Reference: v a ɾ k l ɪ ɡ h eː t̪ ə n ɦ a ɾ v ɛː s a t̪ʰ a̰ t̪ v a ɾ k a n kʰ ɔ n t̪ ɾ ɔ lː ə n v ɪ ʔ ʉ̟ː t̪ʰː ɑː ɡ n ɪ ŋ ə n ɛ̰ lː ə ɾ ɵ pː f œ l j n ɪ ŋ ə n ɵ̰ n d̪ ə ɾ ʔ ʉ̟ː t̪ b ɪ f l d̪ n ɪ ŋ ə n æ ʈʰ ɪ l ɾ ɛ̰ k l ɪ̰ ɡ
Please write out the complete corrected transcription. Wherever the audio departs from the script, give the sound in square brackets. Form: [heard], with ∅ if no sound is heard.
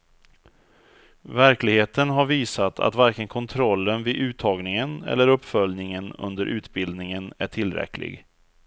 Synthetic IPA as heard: v [æ] ɾ k l ɪ ɡ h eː t̪ ə n ɦ a ɾ v [iː] s a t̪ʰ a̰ t̪ v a ɾ k [ə] n kʰ ɔ n [t̪ʰ] ɾ ɔ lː ə n v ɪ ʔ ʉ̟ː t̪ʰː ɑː ɡ n ɪ ŋ ə n ɛ̰ lː ə ɾ ɵ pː f œ l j n ɪ ŋ ə n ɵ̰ n d̪ ə ɾ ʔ ʉ̟ː t̪ b ɪ [∅] l d̪ n ɪ ŋ ə n æ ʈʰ ɪ l ɾ ɛ̰ k l ɪ̰ ɡ